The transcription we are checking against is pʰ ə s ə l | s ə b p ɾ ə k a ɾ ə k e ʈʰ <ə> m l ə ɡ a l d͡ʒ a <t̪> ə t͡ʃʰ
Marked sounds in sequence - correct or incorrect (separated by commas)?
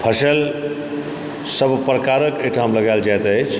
incorrect, correct